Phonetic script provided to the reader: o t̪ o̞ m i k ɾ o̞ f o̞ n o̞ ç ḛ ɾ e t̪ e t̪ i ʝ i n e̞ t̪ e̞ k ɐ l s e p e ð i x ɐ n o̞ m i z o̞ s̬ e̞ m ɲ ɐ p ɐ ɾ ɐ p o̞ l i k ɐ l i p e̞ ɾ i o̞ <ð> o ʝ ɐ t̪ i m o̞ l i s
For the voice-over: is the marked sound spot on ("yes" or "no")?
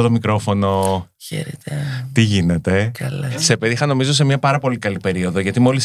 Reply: yes